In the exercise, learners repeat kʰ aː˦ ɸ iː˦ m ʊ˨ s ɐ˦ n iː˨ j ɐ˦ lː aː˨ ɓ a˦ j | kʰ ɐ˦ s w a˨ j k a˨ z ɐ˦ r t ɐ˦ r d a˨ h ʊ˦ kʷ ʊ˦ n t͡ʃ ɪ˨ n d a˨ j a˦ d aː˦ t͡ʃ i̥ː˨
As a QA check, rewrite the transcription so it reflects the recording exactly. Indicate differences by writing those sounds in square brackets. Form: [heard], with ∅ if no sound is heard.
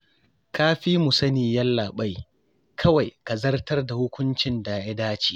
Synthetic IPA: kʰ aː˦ ɸ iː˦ m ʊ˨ s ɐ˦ n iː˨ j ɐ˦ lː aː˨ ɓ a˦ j | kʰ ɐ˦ [∅] w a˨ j k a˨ z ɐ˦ r t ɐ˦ r d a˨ h ʊ˦ kʷ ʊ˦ n t͡ʃ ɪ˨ n d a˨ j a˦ d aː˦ t͡ʃ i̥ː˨